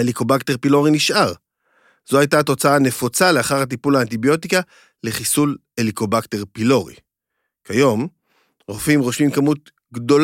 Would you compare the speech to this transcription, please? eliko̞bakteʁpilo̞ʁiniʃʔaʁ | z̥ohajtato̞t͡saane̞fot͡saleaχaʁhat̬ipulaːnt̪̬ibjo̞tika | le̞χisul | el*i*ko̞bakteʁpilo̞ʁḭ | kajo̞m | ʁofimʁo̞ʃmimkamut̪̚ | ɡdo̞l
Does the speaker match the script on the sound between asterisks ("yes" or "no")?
yes